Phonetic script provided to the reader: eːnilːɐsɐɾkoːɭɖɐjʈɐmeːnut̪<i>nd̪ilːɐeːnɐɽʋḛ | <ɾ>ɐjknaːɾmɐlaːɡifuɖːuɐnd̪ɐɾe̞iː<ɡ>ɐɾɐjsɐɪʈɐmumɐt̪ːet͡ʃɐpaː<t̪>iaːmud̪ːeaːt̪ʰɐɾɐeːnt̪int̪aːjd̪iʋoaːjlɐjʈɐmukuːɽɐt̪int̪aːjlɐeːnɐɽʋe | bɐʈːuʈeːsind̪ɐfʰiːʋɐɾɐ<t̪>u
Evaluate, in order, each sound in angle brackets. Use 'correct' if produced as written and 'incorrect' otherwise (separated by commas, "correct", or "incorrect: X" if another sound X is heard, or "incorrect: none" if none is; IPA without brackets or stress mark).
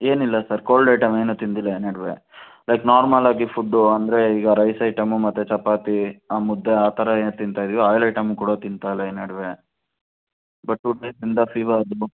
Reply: correct, incorrect: l, correct, correct, incorrect: d̪